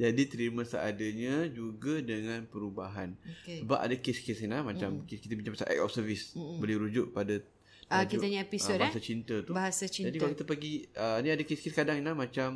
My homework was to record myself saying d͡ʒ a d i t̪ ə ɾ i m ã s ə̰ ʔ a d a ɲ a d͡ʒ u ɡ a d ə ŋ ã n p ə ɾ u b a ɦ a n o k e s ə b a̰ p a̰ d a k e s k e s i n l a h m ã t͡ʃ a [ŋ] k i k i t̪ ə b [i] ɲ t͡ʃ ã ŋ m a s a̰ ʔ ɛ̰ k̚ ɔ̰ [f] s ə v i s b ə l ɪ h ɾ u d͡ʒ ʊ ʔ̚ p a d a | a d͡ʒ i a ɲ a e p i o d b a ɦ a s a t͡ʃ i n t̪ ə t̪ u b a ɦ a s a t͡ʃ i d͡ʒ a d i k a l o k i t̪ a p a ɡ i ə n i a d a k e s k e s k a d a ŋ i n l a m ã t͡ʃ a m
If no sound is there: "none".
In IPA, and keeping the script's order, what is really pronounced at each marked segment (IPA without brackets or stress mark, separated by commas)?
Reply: m, i, f